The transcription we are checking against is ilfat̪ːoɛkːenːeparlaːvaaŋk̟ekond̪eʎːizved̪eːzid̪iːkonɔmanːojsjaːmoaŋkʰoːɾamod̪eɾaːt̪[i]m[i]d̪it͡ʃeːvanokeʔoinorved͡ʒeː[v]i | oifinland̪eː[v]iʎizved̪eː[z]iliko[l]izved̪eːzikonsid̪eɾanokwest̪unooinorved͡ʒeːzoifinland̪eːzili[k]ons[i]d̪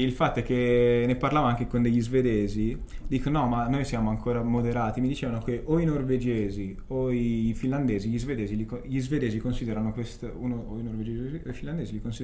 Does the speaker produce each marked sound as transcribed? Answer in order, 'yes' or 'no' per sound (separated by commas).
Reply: yes, yes, no, no, yes, no, yes, yes